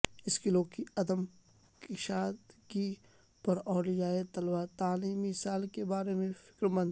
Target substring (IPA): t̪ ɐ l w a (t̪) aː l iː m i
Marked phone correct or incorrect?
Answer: correct